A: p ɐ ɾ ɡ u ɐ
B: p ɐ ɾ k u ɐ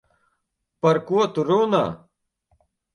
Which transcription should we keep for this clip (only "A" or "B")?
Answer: B